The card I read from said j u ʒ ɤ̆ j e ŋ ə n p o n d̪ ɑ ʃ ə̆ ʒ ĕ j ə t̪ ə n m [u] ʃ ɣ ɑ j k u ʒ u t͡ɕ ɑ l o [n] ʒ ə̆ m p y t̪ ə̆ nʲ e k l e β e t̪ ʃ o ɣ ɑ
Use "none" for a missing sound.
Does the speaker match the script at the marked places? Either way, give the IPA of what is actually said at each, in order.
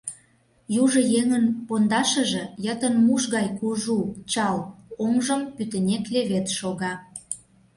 u, ŋ

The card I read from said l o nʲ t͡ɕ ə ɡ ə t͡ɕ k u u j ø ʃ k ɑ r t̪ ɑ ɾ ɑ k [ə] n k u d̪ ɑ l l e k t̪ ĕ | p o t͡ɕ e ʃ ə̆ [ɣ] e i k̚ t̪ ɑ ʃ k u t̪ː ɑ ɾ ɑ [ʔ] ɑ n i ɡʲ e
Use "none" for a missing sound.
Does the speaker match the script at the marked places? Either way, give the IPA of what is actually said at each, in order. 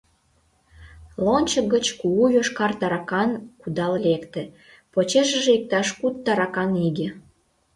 ɑ, ʒ, k

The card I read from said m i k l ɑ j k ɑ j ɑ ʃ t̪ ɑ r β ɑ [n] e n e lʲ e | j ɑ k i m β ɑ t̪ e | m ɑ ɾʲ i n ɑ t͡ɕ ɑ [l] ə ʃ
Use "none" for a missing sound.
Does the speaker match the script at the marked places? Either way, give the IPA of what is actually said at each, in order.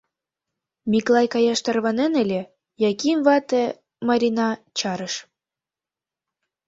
n, ɾ

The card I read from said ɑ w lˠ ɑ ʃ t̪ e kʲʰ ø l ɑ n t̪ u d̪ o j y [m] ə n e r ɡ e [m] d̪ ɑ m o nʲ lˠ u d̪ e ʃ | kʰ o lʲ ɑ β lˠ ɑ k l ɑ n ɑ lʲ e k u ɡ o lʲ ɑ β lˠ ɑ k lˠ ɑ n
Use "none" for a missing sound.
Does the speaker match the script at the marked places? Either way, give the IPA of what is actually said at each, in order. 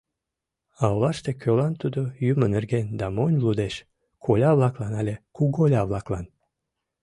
m, n

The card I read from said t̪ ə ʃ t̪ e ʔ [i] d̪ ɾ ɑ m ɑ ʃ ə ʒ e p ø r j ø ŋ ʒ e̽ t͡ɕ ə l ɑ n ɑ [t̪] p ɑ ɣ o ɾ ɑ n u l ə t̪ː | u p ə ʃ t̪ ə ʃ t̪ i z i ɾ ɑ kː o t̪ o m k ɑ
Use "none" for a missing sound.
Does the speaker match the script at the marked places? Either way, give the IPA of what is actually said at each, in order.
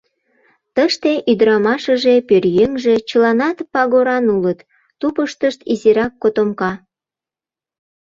y, t̪

